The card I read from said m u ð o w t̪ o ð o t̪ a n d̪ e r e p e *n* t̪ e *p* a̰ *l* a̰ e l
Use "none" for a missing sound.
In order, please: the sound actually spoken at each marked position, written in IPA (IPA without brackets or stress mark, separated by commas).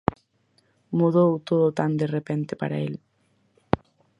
n, p, ɾ